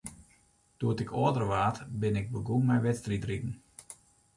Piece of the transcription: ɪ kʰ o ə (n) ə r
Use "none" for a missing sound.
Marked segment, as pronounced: d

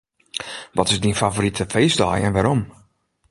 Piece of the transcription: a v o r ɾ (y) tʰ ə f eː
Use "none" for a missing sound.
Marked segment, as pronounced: i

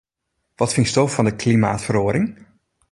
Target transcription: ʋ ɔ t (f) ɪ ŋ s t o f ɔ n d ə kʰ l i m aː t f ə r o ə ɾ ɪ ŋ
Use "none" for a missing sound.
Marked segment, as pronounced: f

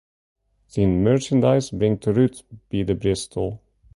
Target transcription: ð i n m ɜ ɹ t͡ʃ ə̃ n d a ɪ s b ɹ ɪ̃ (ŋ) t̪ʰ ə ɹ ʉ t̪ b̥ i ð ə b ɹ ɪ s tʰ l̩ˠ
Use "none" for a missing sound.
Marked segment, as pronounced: ŋ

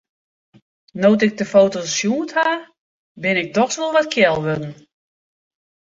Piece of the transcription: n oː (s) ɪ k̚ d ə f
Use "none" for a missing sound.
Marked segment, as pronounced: t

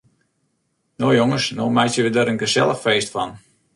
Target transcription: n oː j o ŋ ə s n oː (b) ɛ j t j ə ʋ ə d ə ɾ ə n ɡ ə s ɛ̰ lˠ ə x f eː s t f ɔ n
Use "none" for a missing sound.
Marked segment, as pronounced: m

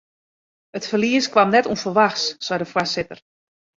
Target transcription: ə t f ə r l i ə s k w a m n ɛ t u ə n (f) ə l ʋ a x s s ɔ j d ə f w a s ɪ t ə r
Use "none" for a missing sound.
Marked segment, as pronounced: f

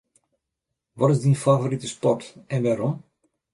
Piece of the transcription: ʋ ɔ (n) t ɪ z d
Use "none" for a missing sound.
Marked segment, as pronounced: none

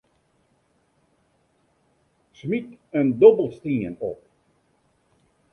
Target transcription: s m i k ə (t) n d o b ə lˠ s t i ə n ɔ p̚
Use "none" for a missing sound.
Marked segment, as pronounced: none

